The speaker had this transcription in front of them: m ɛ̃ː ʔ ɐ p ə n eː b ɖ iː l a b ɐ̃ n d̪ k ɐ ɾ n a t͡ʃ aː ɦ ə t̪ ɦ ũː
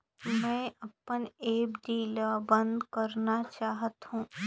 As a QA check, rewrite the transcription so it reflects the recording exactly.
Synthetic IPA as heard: m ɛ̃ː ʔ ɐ p ə n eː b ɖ iː l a b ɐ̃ n d̪ k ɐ ɾ n a t͡ʃ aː ɦ ə t̪ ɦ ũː